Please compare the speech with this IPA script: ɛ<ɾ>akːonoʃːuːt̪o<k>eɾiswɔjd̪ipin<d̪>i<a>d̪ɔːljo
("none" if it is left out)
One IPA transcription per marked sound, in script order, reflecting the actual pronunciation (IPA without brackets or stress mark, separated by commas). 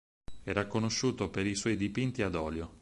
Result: ɾ, p, t̪, a